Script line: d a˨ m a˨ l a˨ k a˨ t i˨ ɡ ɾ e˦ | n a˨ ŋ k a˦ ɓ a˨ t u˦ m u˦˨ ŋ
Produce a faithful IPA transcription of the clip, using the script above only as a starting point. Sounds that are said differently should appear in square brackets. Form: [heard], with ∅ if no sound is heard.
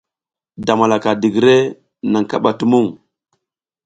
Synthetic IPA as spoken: d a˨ m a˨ l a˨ k a˨ [d] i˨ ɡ ɾ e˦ | n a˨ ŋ k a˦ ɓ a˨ t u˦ m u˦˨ ŋ